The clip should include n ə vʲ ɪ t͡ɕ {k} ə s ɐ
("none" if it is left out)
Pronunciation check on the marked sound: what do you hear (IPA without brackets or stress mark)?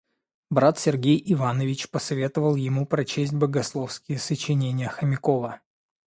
p